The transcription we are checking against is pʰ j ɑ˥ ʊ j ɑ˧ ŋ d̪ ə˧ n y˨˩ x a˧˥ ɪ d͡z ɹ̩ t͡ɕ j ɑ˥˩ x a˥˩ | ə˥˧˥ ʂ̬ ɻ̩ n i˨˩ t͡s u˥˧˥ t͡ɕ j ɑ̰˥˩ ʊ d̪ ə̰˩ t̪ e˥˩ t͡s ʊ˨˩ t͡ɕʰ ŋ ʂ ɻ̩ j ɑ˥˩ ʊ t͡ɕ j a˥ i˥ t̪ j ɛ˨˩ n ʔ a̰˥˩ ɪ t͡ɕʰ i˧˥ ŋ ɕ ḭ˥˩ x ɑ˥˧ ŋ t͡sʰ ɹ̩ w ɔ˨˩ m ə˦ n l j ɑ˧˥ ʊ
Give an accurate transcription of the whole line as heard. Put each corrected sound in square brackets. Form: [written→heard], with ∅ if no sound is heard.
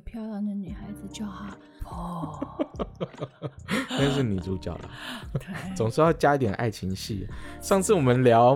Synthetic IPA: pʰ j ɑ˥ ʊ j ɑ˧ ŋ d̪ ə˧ n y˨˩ x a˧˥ ɪ d͡z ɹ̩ t͡ɕ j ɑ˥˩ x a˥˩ | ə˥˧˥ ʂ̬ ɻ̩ n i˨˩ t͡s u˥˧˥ t͡ɕ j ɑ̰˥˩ ʊ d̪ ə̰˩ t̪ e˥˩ t͡s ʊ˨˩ [t͡ɕʰ→∅] ŋ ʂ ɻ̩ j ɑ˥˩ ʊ t͡ɕ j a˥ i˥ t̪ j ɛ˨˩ n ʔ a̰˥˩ ɪ t͡ɕʰ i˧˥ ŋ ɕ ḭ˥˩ [x→ʂ] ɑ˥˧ ŋ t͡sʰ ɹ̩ w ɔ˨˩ m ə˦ n l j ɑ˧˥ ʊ